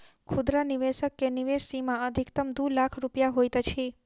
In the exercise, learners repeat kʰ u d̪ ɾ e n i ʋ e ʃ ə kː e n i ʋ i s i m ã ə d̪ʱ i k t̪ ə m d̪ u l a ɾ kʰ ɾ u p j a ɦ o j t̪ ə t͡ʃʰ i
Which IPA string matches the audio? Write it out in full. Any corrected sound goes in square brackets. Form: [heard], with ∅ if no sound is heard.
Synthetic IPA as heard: kʰ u d̪ ɾ [a] n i ʋ e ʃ ə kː e n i ʋ [e] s i m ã ə d̪ʱ i k t̪ ə m d̪ u l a [∅] kʰ ɾ u p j a ɦ o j t̪ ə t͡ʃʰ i